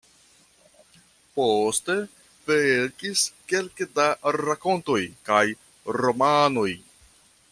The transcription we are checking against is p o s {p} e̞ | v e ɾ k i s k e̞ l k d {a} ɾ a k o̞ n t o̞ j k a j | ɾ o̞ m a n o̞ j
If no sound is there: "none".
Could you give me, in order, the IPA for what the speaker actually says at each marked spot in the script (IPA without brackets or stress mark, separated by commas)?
t, a